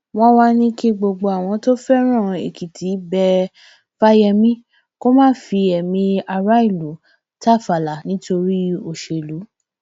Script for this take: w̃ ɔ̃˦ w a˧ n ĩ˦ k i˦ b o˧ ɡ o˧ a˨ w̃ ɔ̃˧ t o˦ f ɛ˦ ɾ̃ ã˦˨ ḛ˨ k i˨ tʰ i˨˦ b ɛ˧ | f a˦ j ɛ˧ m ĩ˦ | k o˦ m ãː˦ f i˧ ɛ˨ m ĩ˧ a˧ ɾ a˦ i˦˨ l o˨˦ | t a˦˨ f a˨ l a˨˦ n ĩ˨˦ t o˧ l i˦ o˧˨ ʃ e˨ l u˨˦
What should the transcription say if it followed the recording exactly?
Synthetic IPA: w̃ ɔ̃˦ w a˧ n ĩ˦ k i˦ ɡ͡b o˧ ɡ͡b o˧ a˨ w̃ ɔ̃˧ t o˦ f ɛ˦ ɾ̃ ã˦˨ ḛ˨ k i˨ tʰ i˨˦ b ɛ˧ | f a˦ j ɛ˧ m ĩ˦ | k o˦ m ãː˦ f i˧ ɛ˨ m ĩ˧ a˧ ɾ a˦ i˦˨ l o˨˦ | t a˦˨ f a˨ l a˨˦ n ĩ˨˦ t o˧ ɾ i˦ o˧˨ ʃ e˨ l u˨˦